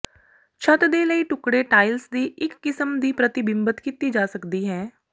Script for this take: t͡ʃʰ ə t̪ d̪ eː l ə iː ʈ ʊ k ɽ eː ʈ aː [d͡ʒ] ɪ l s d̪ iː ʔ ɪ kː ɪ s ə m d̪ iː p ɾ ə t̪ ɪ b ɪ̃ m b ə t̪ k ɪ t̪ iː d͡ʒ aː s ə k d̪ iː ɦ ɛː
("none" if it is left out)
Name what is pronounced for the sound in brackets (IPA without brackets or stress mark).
none